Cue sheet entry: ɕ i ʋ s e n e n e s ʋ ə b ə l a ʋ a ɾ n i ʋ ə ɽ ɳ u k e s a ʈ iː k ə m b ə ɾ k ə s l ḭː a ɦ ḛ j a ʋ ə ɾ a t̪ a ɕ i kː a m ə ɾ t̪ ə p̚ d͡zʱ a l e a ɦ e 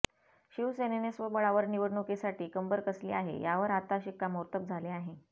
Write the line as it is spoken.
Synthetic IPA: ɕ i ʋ s e n e n e s ʋ ə b ə ɭ a ʋ ə ɾ n i ʋ ə ɽ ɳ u k e s a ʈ iː k ə m b ə ɾ k ə s l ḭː a ɦ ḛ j a ʋ ə ɾ a t̪ a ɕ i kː a m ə ɾ t̪ ə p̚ d͡zʱ a l e a ɦ e